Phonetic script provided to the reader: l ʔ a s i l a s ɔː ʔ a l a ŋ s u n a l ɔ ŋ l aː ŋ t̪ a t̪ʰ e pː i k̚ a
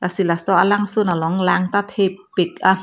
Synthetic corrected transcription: l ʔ a s i l a s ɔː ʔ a l a ŋ s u n a l ɔ ŋ l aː ŋ t̪ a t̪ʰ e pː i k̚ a